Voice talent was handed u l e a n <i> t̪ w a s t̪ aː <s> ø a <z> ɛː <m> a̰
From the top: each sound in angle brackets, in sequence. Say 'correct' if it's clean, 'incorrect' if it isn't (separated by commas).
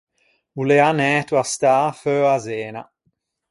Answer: incorrect, incorrect, correct, incorrect